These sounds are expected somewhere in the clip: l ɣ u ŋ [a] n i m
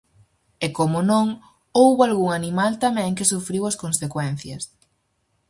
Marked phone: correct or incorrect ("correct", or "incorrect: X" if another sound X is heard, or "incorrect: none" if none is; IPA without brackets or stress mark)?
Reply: correct